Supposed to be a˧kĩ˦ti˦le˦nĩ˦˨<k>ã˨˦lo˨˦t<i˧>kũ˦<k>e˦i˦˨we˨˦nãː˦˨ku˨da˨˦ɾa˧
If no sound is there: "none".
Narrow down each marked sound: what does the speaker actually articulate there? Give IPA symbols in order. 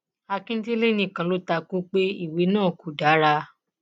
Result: k, a˧, k͡p

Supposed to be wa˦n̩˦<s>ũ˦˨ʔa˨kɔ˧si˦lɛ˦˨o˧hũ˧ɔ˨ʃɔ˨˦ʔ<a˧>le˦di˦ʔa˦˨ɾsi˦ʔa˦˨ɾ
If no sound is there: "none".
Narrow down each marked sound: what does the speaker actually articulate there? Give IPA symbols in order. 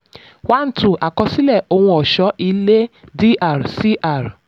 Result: t, i˧

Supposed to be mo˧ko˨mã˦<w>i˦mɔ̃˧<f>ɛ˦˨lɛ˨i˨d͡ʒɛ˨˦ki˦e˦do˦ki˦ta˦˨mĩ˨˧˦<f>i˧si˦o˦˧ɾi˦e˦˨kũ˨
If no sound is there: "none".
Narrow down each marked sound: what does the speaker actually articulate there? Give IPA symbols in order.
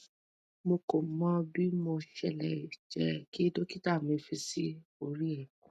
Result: b, ʃ, f

